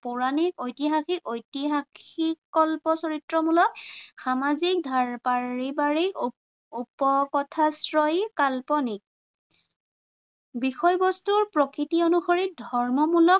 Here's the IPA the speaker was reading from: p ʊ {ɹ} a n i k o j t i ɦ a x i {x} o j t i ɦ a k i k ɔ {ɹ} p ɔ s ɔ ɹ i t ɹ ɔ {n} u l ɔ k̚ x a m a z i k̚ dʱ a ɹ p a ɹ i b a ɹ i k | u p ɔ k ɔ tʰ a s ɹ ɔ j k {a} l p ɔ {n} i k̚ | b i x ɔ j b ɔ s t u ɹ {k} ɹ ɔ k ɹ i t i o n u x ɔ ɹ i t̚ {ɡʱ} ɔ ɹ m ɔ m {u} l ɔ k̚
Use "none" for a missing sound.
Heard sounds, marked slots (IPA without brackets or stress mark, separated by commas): ɹ, k, l, m, a, n, p, dʱ, u